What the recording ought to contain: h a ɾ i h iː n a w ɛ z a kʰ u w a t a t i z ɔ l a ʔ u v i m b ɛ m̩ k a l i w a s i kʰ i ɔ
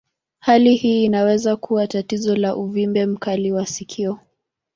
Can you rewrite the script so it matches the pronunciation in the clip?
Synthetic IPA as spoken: h a l i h iː n a w ɛ z a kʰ u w a t a t i z ɔ l a ʔ u v i m b ɛ m̩ k a l i w a s i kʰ i ɔ